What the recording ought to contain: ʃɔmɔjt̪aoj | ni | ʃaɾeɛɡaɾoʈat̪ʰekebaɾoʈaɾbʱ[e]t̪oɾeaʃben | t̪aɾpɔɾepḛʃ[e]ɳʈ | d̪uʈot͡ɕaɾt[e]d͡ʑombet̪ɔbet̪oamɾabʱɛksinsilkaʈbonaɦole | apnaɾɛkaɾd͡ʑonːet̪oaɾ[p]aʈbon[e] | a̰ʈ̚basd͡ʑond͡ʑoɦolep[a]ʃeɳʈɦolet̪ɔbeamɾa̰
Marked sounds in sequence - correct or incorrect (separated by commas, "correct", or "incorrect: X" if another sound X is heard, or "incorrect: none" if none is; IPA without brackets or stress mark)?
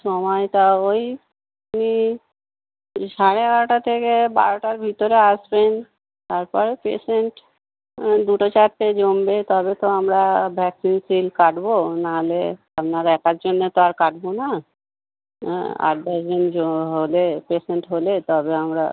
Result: incorrect: i, correct, correct, incorrect: k, incorrect: a, incorrect: e